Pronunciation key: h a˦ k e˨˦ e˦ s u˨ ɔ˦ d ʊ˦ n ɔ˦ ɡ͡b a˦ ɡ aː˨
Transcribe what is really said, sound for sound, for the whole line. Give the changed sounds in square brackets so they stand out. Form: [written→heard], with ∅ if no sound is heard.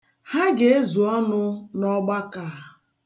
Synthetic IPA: h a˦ [k→ɡ] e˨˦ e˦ [s→z] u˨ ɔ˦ [d→n] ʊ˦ n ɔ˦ ɡ͡b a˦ [ɡ→k] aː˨